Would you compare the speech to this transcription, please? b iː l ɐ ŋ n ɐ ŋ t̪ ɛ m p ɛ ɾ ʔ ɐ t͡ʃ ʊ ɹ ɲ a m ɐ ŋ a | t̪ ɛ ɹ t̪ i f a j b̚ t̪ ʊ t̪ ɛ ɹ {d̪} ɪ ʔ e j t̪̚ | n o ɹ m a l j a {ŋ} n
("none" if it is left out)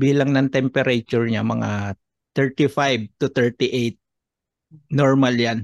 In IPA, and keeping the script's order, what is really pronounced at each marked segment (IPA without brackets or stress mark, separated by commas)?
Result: t̪, none